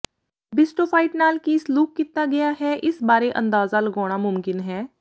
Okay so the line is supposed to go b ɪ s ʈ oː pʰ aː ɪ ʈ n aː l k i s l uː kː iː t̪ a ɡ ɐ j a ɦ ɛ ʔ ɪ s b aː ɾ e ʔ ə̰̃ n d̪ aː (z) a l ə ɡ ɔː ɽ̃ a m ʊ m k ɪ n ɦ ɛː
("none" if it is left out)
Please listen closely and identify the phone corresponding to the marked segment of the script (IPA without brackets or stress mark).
z